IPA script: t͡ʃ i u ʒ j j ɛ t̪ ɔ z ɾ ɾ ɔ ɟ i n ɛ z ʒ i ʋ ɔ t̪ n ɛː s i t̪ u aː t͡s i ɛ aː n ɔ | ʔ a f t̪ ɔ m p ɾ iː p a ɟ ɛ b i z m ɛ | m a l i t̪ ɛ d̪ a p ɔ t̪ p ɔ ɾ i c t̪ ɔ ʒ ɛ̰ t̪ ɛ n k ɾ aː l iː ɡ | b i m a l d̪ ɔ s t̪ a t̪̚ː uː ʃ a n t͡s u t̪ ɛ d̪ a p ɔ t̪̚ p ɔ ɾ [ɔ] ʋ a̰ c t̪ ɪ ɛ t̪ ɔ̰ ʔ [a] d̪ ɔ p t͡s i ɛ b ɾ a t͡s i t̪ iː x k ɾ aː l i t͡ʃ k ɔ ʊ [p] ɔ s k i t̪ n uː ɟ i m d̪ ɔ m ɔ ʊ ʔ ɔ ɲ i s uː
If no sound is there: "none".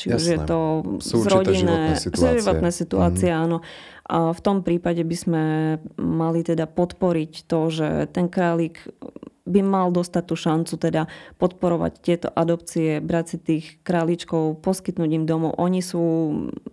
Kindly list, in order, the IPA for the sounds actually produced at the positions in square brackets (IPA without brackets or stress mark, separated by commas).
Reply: ɔ, a, p